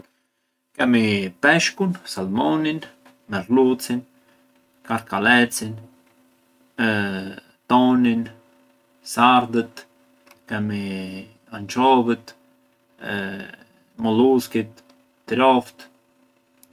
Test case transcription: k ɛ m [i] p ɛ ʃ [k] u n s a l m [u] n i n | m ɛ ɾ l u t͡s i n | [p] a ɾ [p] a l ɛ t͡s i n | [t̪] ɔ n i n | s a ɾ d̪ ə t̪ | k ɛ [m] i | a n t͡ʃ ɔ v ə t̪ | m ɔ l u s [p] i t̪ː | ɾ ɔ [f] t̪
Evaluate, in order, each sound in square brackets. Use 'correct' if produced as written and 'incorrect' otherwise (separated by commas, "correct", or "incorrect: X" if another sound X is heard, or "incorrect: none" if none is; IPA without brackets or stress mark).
correct, correct, incorrect: ɔ, incorrect: k, incorrect: k, correct, correct, incorrect: k, correct